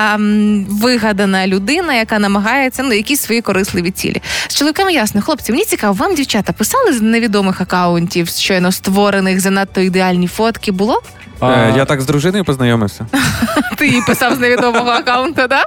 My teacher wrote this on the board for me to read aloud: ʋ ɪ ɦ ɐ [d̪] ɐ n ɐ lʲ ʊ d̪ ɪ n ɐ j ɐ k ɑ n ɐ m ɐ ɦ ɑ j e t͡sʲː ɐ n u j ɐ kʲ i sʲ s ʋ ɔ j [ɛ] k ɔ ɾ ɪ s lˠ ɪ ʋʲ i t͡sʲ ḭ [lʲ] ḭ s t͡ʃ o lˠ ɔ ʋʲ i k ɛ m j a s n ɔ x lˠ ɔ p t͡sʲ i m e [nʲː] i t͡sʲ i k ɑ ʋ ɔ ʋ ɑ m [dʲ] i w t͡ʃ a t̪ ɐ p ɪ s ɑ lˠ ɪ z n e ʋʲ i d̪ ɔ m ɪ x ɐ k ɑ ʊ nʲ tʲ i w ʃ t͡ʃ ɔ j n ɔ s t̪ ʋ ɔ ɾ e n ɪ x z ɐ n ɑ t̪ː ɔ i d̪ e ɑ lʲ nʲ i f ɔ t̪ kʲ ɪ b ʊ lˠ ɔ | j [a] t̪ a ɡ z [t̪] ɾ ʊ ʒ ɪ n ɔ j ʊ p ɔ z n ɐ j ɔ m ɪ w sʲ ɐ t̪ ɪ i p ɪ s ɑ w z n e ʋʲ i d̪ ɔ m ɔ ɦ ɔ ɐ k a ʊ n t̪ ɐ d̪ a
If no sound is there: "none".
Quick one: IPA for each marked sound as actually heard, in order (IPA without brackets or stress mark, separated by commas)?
d̪, i, lʲ, nʲ, dʲ, a, d̪